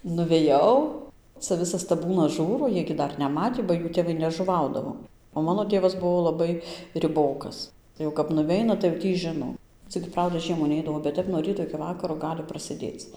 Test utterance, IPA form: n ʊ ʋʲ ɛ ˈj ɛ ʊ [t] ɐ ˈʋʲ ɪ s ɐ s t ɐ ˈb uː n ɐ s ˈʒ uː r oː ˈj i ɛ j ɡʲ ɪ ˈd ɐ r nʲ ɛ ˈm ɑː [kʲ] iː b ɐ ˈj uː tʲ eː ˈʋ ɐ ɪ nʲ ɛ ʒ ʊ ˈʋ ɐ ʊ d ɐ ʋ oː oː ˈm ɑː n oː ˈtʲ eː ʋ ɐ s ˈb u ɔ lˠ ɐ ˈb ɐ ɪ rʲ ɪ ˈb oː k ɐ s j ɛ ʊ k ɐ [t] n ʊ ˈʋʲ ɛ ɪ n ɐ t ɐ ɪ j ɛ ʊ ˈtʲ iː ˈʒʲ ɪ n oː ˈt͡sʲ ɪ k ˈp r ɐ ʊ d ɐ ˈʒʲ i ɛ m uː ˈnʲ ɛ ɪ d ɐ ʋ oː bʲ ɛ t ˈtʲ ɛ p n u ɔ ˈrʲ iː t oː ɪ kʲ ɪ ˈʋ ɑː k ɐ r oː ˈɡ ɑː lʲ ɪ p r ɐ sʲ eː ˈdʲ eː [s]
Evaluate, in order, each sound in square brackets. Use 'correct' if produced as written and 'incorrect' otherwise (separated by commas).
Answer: incorrect, incorrect, incorrect, incorrect